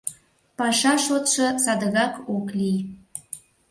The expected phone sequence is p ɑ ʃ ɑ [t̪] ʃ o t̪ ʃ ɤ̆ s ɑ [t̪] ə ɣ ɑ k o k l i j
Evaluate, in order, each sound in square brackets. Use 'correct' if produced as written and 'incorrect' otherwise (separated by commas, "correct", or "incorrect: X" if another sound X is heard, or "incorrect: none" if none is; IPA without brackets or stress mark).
incorrect: none, incorrect: d̪